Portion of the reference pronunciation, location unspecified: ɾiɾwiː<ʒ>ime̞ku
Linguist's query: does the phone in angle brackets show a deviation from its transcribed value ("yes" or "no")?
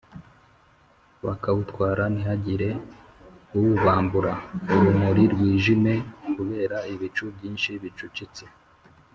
no